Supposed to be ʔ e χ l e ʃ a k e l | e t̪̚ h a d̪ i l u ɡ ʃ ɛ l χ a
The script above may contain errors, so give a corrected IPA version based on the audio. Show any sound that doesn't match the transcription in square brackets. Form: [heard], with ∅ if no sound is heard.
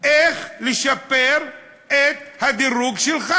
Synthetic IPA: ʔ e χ l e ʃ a [p] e [ɾ] | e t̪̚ h a d̪ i [ɾ] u ɡ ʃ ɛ l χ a